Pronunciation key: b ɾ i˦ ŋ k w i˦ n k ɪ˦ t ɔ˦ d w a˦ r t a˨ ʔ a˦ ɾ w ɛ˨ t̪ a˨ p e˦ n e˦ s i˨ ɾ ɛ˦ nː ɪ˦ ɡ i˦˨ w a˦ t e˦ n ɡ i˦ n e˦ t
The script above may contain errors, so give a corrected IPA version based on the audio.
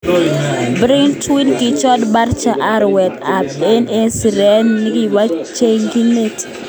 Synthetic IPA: b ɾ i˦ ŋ t w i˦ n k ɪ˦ t͡ʃ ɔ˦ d b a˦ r t͡ʃ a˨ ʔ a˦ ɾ w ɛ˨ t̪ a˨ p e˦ n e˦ s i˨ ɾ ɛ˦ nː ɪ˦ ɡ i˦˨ w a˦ t͡ʃ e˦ ŋ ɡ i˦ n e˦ t